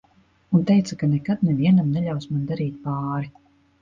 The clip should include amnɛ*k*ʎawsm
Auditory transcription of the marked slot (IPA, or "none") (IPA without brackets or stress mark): none